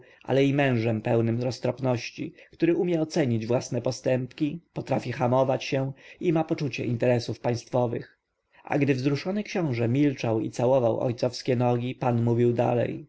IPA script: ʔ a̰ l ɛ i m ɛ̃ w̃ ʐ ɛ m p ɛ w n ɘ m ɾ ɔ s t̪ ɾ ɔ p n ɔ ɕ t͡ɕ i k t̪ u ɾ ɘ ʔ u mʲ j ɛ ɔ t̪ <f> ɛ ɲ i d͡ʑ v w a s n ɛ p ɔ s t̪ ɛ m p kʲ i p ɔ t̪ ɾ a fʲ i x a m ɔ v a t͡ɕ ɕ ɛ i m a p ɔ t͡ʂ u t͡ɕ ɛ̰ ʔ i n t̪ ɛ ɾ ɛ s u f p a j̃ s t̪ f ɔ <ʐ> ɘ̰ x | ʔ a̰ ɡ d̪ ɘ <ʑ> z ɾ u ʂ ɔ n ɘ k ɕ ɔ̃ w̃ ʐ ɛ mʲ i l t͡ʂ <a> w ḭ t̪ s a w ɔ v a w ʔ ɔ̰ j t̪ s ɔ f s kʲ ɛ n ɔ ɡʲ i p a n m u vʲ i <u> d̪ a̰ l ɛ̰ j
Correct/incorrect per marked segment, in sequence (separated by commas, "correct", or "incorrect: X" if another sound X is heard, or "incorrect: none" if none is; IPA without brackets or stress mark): incorrect: s, incorrect: v, incorrect: v, correct, incorrect: w